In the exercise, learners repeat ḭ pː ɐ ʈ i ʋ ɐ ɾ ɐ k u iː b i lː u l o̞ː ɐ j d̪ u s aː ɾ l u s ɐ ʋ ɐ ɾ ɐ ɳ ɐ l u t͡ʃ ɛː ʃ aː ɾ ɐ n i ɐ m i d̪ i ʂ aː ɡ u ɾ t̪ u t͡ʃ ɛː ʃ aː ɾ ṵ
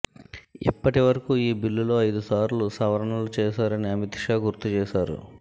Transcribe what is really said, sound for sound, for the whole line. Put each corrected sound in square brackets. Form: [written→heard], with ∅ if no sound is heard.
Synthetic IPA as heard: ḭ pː ɐ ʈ i ʋ ɐ ɾ ɐ k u iː b i lː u l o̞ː ɐ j d̪ u s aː ɾ l u s ɐ ʋ ɐ ɾ ɐ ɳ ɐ l u t͡ʃ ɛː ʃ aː ɾ ɐ n i ɐ m i [d̪→t̪] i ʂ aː ɡ u ɾ t̪ u t͡ʃ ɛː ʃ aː ɾ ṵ

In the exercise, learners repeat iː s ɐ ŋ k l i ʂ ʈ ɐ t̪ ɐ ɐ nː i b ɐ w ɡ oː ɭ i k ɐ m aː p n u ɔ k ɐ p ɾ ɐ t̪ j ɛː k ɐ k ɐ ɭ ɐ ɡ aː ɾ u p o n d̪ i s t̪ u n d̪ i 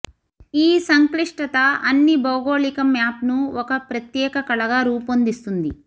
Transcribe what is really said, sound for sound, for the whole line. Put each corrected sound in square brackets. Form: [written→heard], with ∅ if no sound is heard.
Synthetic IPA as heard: iː s ɐ ŋ k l i ʂ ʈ ɐ t̪ ɐ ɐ nː i b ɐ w ɡ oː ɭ i k ɐ m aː p n u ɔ k ɐ p ɾ ɐ t̪ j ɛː k ɐ k ɐ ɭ ɐ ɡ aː ɾ [u→uː] p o n d̪ i s t̪ u n d̪ i

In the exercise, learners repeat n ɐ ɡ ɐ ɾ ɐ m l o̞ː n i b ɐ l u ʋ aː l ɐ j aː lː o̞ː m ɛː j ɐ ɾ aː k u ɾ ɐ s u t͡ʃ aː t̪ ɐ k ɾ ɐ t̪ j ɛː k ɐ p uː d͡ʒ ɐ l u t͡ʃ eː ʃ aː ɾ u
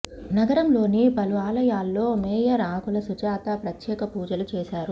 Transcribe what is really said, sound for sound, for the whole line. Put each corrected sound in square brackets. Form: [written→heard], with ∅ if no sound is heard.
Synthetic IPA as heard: n ɐ ɡ ɐ ɾ ɐ m l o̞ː n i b ɐ l u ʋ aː l ɐ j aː lː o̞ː m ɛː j ɐ ɾ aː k u [ɾ→l] ɐ s u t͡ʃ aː t̪ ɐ [k→p] ɾ ɐ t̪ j ɛː k ɐ p uː d͡ʒ ɐ l u t͡ʃ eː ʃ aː ɾ u

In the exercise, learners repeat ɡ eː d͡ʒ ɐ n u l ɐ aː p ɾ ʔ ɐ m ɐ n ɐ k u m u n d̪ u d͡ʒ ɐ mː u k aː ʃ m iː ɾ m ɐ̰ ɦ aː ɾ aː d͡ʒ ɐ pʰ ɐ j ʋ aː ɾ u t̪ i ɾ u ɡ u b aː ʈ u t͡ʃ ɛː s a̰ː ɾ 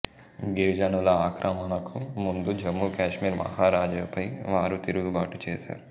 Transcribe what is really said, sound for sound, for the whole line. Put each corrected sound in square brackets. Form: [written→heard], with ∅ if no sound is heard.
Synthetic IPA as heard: ɡ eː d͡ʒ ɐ n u l ɐ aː [p→k] ɾ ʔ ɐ m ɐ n ɐ k u m u n d̪ u d͡ʒ ɐ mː u k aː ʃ m iː ɾ m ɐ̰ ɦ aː ɾ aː d͡ʒ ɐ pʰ ɐ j ʋ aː ɾ u t̪ i ɾ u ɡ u b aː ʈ u t͡ʃ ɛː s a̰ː ɾ

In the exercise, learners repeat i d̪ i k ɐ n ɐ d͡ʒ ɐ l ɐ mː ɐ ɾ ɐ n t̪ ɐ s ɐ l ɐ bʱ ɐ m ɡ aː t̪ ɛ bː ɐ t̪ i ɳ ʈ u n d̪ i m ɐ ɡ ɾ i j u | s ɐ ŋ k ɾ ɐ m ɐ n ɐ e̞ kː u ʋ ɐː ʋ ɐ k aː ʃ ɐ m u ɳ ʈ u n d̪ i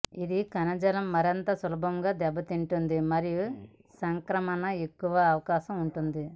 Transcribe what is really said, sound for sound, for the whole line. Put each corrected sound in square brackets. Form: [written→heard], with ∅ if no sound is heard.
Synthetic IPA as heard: i d̪ i k ɐ n ɐ d͡ʒ ɐ l ɐ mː ɐ ɾ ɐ n t̪ ɐ s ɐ l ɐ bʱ ɐ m ɡ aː [t̪→d̪] ɛ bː ɐ t̪ i ɳ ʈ u n d̪ i m ɐ [ɡ→∅] ɾ i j u | s ɐ ŋ k ɾ ɐ m ɐ n ɐ e̞ kː u ʋ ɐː ʋ ɐ k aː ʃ ɐ m u ɳ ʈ u n d̪ i

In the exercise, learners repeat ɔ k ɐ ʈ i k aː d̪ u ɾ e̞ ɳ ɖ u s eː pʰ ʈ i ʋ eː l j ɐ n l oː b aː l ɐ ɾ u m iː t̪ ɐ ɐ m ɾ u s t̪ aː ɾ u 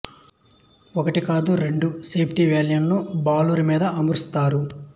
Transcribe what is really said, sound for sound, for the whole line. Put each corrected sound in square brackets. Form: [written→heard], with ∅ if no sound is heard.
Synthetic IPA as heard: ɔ k ɐ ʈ i k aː d̪ u ɾ e̞ ɳ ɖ u s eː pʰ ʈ i ʋ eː l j ɐ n l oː b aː l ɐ ɾ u m iː [t̪→d̪] ɐ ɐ m ɾ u s t̪ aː ɾ u

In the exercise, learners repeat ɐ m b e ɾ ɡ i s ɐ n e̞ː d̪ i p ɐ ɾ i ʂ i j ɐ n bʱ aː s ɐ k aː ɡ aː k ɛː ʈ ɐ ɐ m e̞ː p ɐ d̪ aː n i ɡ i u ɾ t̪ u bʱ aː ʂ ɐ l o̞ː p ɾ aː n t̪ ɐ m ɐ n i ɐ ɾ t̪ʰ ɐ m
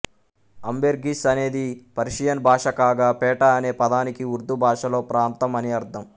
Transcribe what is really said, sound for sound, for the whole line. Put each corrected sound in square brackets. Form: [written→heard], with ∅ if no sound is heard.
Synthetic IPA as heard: ɐ m b e ɾ ɡ i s ɐ n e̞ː d̪ i p ɐ ɾ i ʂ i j ɐ n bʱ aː [s→ʂ] ɐ k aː ɡ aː [k→p] ɛː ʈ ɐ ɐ [m→n] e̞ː p ɐ d̪ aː n i [ɡ→k] i u ɾ [t̪→d̪] u bʱ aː ʂ ɐ l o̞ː p ɾ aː n t̪ ɐ m ɐ n i ɐ ɾ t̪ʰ ɐ m

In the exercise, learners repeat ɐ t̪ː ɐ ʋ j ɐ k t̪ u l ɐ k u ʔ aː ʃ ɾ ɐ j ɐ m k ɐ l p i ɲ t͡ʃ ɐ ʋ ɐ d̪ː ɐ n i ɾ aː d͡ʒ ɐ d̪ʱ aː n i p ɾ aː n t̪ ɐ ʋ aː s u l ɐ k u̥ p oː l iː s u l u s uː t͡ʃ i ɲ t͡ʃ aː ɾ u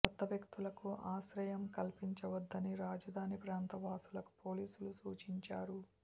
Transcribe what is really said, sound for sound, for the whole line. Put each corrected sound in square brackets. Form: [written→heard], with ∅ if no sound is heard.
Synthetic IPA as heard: ɐ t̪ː ɐ ʋ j ɐ k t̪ u l ɐ k u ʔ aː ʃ ɾ ɐ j ɐ m k ɐ l p i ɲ t͡ʃ ɐ ʋ ɐ d̪ː ɐ n i ɾ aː d͡ʒ ɐ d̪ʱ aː n i p ɾ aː n t̪ ɐ ʋ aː s u l ɐ k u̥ p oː l iː s u l u s uː t͡ʃ i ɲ t͡ʃ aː ɾ u

